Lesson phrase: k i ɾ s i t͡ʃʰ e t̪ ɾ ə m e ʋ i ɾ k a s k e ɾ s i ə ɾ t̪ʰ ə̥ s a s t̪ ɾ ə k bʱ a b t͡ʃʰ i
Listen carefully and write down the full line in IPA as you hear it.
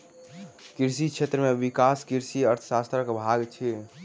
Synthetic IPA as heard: k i ɾ s i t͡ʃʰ e t̪ ɾ ə m e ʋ i k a s k i ɾ s i ə ɾ t̪ʰ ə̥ s a s t̪ ɾ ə k bʱ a ɡ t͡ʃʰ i